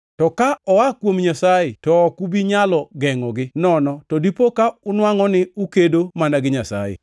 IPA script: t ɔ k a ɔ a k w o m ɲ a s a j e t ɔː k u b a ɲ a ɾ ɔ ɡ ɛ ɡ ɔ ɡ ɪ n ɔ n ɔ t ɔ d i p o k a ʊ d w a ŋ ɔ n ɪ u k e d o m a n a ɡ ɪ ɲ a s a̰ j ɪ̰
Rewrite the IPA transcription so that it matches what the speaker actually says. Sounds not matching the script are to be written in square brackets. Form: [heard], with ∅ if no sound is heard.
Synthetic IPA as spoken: t ɔ k a ɔ a k w o m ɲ a s a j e t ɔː k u b [i] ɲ a [l] ɔ ɡ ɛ [ŋ] ɔ ɡ ɪ n ɔ n ɔ t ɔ d i p o k a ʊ [n] w a ŋ ɔ n ɪ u k e d o m a n a ɡ ɪ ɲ a s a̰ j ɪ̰

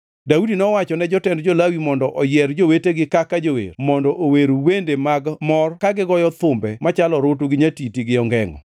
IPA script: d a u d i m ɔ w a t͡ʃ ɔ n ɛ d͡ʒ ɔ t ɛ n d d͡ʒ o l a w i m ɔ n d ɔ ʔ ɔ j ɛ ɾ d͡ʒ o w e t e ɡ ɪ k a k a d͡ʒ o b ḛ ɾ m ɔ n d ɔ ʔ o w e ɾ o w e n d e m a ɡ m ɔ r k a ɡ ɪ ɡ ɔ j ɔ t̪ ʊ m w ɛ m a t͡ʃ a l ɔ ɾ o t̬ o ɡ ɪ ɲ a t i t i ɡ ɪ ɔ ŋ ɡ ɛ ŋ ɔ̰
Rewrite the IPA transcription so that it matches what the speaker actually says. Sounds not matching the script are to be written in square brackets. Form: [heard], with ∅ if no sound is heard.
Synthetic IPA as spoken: d a u d i [n] ɔ w a t͡ʃ ɔ n ɛ d͡ʒ ɔ t ɛ n d d͡ʒ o l a w i m ɔ n d ɔ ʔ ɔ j ɛ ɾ d͡ʒ o w e t e ɡ ɪ k a k a d͡ʒ o [w] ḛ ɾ m ɔ n d ɔ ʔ o w e ɾ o w e n d e m a ɡ m ɔ r k a ɡ ɪ ɡ ɔ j ɔ t̪ ʊ m [b] ɛ m a t͡ʃ a l ɔ ɾ o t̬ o ɡ ɪ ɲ a t i t i ɡ ɪ ɔ ŋ ɡ ɛ ŋ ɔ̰

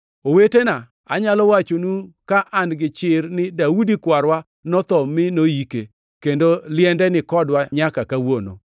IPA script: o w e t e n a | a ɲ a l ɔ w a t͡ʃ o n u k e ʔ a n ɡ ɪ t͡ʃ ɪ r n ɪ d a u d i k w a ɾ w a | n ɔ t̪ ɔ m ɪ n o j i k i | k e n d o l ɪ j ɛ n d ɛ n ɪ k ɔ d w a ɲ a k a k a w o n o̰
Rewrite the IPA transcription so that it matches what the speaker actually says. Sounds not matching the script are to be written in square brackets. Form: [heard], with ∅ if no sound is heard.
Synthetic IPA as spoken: o w e t e n a | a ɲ a l ɔ w a t͡ʃ o n u k [a] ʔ a n ɡ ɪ t͡ʃ ɪ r n ɪ d a u d i k w a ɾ w a | n ɔ t̪ ɔ m ɪ n o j i k [e] | k e n d o l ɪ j ɛ n d ɛ n ɪ k ɔ d w a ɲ a k a k a w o n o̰

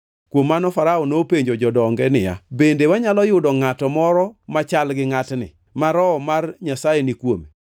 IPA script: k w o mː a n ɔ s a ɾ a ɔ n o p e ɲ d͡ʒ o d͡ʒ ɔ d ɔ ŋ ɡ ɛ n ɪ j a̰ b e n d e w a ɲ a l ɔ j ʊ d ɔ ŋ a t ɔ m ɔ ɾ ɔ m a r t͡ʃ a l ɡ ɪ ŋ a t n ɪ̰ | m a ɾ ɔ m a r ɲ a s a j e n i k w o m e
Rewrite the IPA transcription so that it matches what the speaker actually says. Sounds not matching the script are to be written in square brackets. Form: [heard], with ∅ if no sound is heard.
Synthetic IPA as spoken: k w o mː a n ɔ [f] a ɾ a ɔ n o p e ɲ d͡ʒ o d͡ʒ ɔ d ɔ ŋ ɡ ɛ n ɪ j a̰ b e n d e w a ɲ a l ɔ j ʊ d ɔ ŋ a t ɔ m ɔ ɾ ɔ m a [∅] t͡ʃ a l ɡ ɪ ŋ a t n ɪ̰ | m a ɾ ɔ m a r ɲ a s a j e n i k w o m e

